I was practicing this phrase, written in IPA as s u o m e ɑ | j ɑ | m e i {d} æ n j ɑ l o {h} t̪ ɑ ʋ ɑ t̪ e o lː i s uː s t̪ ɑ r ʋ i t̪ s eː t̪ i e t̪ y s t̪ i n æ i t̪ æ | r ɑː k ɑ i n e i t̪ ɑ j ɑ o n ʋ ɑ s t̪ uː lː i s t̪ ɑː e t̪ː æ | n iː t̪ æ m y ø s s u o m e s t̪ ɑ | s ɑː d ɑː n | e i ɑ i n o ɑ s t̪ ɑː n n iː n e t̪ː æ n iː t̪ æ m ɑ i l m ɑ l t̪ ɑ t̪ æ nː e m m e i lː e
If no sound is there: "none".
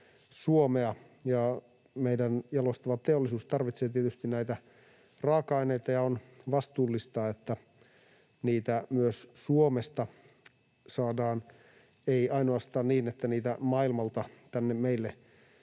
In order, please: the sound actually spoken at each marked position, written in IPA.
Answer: d, s

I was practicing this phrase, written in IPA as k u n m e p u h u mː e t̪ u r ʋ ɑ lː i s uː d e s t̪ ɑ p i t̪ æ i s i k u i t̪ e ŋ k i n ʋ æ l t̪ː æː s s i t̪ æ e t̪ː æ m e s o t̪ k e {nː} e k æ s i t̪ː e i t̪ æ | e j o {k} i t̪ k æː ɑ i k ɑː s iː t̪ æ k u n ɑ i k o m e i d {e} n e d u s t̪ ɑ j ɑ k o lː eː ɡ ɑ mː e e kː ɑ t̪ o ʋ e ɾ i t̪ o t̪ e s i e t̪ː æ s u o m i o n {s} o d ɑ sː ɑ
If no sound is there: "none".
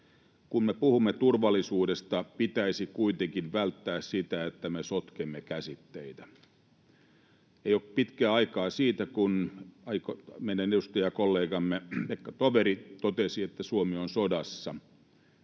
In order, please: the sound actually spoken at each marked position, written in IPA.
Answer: mː, p, æ, s

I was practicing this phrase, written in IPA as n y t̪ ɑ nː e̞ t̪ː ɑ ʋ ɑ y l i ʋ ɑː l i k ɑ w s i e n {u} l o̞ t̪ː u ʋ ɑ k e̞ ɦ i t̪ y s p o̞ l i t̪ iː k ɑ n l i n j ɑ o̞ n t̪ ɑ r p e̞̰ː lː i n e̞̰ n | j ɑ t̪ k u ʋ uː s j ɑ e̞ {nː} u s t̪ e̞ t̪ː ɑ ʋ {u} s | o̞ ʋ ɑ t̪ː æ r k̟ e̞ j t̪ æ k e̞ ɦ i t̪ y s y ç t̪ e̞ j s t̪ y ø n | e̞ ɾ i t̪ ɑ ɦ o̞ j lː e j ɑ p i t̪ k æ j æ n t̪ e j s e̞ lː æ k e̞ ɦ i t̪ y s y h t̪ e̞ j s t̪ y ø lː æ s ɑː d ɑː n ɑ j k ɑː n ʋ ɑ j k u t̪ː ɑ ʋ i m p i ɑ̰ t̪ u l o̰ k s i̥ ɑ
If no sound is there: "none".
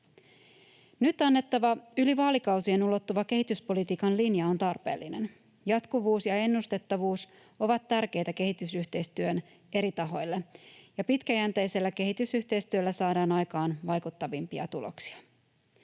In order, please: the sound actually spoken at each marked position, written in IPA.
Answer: u, nː, uː

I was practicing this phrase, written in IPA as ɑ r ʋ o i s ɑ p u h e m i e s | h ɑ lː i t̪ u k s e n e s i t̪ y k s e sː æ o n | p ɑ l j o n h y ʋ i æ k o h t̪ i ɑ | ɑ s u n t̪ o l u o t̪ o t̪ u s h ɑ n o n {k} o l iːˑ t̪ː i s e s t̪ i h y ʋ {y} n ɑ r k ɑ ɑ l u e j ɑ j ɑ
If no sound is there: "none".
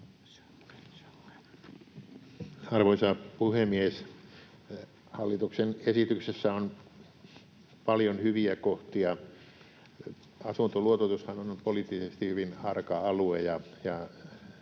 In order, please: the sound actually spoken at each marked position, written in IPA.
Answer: p, i

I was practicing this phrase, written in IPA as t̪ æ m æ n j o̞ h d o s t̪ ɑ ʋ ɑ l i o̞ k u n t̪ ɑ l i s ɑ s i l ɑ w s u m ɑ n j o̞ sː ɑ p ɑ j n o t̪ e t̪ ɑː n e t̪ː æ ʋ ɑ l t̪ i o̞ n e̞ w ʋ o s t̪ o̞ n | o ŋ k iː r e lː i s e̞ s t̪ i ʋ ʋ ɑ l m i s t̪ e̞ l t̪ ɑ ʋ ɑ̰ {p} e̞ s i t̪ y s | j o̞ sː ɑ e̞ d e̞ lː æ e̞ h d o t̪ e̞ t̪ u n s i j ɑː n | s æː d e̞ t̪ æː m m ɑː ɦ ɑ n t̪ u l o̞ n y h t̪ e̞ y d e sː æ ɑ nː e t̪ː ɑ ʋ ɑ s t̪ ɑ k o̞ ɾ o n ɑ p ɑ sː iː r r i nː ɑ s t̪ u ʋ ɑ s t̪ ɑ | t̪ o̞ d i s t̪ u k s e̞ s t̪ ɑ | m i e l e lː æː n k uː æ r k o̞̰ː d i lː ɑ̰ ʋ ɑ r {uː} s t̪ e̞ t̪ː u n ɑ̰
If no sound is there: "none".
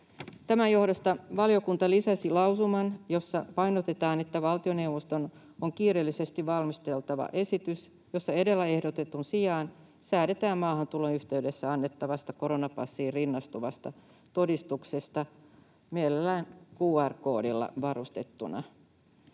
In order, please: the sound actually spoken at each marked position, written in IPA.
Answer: ʔ, u

